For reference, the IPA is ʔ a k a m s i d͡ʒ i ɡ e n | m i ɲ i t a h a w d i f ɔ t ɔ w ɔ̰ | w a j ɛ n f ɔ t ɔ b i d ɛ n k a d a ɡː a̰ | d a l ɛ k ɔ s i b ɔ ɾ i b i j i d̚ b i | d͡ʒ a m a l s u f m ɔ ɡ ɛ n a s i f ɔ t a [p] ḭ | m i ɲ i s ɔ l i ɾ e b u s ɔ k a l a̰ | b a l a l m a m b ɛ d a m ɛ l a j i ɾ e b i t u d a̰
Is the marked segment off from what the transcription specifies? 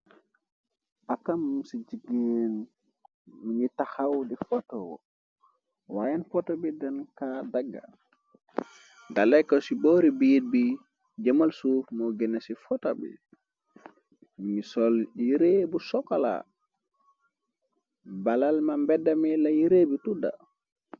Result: yes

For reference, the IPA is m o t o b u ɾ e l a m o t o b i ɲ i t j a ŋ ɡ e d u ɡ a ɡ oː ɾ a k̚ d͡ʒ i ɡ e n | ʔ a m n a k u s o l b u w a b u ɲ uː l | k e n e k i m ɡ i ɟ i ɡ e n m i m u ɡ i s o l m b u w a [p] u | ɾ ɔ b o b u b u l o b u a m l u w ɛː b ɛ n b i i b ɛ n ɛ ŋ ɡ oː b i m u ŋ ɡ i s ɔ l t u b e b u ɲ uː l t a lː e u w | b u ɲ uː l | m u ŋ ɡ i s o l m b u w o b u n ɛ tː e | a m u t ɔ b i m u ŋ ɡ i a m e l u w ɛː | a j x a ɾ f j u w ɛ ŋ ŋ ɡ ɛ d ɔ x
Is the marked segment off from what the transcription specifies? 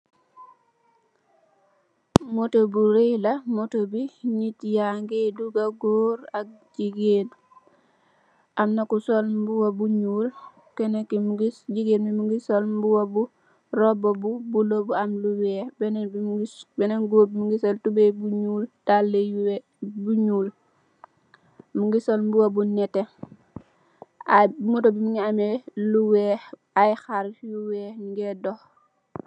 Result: yes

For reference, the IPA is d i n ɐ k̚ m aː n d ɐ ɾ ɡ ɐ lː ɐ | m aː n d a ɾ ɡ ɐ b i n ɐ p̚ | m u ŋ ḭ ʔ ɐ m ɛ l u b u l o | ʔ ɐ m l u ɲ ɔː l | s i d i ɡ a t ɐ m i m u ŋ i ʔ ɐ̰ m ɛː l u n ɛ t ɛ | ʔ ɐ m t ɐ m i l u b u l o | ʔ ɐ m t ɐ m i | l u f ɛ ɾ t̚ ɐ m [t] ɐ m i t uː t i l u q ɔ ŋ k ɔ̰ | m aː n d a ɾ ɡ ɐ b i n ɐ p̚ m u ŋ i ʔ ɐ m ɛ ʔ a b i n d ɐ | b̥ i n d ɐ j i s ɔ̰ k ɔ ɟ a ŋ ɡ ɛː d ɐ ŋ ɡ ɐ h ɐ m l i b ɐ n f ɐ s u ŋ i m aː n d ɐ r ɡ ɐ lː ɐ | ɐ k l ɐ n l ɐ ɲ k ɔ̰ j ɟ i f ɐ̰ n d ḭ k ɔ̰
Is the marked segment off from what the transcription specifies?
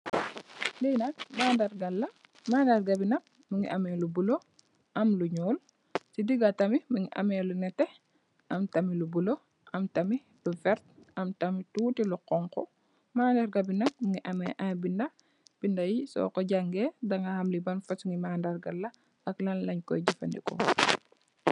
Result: no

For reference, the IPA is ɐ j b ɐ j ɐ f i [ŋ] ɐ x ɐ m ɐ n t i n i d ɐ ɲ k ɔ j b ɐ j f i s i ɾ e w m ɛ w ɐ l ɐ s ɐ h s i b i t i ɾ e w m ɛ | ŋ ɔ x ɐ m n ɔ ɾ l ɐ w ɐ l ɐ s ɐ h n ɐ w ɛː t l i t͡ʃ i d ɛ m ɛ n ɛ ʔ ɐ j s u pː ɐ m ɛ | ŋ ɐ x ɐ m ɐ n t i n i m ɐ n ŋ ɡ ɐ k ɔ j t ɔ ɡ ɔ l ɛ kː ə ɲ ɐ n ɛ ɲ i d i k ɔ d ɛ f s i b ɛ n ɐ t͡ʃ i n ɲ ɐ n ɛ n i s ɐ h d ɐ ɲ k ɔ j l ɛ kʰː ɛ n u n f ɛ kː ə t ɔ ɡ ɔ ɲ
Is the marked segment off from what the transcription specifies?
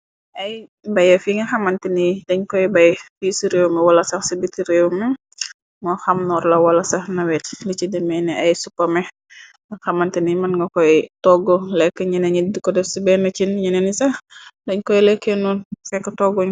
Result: no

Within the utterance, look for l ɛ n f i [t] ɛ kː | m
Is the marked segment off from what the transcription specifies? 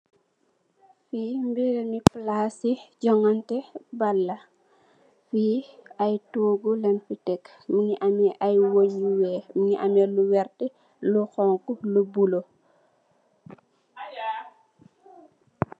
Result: no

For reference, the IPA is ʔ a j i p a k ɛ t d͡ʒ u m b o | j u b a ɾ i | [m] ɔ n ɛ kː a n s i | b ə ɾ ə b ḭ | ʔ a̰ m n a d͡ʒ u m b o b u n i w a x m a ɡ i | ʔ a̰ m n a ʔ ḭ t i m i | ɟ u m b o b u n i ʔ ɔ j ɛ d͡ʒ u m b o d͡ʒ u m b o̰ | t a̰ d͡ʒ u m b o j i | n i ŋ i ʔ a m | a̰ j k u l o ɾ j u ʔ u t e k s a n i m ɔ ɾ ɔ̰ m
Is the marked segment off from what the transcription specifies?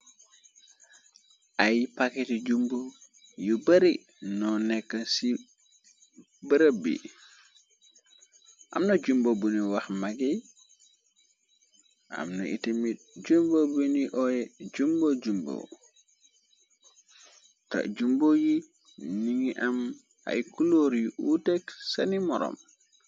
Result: yes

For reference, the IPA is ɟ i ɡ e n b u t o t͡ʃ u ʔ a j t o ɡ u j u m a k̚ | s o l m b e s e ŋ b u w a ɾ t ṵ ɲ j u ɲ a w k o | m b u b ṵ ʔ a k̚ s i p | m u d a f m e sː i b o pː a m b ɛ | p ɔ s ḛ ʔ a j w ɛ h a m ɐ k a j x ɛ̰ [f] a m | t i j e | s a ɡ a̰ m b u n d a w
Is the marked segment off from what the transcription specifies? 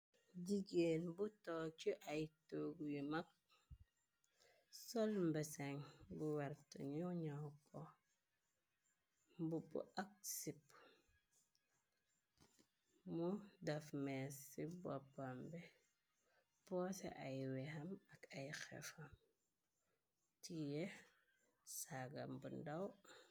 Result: no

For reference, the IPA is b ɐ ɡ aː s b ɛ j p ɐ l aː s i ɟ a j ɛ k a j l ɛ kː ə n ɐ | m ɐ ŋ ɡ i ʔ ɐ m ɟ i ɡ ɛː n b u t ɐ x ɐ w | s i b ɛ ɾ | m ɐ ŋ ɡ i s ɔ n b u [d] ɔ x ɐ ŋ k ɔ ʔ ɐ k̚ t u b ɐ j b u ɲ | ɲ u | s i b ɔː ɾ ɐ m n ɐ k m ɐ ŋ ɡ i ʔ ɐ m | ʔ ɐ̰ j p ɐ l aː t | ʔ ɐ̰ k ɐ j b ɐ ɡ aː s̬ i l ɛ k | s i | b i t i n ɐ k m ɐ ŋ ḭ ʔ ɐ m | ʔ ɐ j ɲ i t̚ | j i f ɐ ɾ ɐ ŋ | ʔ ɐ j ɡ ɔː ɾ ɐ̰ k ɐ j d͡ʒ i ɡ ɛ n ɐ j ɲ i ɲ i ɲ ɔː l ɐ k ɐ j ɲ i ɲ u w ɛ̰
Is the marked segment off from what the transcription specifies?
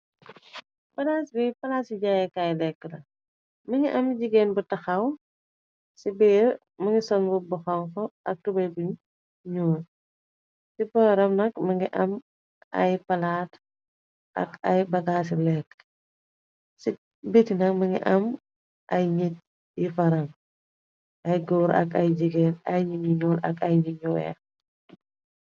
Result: yes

